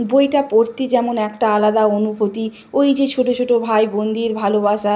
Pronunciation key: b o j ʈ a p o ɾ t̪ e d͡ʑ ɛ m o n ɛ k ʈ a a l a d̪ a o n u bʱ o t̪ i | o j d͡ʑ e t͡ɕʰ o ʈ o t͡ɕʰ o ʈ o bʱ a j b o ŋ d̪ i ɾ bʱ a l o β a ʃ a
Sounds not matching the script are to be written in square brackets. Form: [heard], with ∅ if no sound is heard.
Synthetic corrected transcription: b o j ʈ a p o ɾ t̪ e d͡ʑ ɛ m o n ɛ k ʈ a a l a d̪ a o n u bʱ o t̪ i | o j d͡ʑ e t͡ɕʰ o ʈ o t͡ɕʰ o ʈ o bʱ a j b o [n] d̪ i ɾ bʱ a l o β a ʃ a